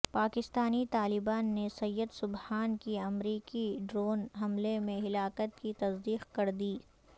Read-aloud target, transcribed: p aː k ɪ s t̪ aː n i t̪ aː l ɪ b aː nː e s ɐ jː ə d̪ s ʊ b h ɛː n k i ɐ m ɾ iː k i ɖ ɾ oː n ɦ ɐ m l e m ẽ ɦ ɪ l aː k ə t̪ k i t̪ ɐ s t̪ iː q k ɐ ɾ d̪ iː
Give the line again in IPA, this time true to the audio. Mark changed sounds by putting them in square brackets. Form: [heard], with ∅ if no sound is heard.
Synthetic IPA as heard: p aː k ɪ s t̪ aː n i t̪ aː l ɪ b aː nː e s ɐ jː ə d̪ s ʊ b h [aː] n k i ɐ m ɾ iː k i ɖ ɾ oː n ɦ ɐ m l e m ẽ ɦ ɪ l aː k ə t̪ k i t̪ ɐ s [d̪] iː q k ɐ ɾ d̪ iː